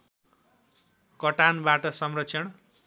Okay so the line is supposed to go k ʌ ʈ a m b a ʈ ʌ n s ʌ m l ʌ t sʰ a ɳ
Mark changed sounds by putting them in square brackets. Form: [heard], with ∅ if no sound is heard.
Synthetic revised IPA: k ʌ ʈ a [n] b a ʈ ʌ [∅] s ʌ m [r] ʌ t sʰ [ʌ] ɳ